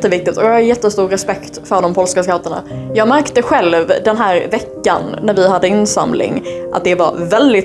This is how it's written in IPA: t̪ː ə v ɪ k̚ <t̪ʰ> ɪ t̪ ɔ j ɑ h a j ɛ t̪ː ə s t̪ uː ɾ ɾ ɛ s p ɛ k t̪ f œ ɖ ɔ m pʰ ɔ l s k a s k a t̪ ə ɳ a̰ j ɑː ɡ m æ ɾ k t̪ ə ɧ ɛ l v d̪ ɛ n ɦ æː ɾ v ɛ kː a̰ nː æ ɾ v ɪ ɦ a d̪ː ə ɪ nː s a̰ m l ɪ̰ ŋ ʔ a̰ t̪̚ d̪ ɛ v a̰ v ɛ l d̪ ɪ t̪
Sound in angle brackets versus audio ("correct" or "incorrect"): incorrect